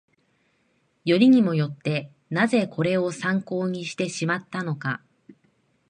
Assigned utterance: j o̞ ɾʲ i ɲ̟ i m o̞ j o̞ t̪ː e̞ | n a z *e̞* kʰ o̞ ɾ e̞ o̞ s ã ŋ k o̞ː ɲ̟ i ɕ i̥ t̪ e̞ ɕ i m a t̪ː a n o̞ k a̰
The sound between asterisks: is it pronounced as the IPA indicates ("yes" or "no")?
yes